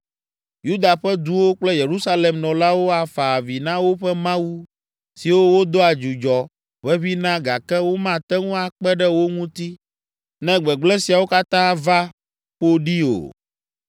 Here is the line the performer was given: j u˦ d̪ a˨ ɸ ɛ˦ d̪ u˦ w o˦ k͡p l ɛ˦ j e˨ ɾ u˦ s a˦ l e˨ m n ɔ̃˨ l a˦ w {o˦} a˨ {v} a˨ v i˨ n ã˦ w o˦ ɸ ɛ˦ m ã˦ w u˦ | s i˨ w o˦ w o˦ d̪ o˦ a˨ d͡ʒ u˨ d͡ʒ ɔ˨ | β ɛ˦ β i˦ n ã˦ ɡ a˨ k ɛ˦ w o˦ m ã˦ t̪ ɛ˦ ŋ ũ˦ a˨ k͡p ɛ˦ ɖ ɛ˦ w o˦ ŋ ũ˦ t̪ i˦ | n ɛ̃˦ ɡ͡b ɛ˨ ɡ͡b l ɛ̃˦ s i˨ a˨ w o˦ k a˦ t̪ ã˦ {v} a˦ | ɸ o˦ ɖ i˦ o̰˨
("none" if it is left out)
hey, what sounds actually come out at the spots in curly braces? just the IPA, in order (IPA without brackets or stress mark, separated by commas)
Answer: o˦, f, v